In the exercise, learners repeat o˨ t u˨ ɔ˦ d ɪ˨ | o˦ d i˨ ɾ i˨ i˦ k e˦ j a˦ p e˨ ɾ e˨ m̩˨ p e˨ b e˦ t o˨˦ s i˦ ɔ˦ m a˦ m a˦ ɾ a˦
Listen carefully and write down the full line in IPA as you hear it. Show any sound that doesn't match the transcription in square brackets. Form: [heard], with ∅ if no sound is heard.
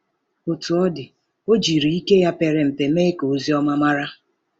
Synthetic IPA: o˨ t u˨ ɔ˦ d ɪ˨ | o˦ [d͡ʒ] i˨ ɾ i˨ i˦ k e˦ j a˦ p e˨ ɾ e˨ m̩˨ p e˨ [m] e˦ [k] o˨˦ [z] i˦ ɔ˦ m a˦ m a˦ ɾ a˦